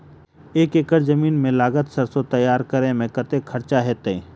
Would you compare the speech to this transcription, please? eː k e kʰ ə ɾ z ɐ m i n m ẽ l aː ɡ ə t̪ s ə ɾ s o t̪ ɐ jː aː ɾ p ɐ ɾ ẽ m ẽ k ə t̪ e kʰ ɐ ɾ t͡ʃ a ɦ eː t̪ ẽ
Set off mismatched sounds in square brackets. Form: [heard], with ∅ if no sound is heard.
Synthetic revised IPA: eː k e [k] ə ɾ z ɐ m [iː] n m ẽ l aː ɡ ə t̪ s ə ɾ s o t̪ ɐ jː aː ɾ [k] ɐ ɾ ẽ m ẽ k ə t̪ e kʰ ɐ ɾ t͡ʃ a ɦ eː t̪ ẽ